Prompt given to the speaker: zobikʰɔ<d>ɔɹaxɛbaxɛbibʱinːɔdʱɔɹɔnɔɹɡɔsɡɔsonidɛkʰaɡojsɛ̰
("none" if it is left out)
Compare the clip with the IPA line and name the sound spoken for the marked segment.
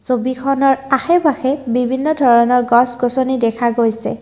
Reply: n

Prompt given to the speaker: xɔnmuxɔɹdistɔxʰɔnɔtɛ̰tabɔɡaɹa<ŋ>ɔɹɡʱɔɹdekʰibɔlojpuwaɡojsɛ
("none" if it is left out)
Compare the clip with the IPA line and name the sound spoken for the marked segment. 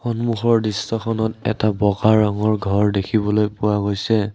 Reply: ŋ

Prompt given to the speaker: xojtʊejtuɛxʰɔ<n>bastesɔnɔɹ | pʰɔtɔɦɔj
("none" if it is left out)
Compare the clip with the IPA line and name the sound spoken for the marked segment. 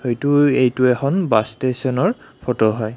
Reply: n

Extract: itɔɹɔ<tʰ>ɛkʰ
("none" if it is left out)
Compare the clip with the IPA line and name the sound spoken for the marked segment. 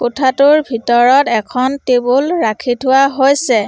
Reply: t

